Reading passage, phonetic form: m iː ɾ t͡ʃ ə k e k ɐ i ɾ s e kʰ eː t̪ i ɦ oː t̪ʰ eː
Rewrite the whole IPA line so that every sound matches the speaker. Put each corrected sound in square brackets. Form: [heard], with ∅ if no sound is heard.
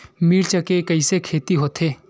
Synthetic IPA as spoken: m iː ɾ t͡ʃ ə k e k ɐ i [∅] s e kʰ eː t̪ i ɦ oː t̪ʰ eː